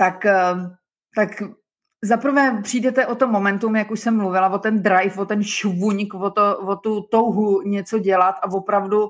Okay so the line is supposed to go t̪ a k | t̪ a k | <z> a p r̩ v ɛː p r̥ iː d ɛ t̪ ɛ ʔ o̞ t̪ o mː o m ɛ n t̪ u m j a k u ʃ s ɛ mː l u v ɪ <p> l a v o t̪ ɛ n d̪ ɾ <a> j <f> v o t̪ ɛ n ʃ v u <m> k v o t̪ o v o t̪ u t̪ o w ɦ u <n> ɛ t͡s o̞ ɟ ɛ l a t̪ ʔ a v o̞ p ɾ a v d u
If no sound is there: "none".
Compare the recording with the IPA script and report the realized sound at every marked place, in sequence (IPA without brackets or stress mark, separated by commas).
z, none, a, f, ɲ, ɲ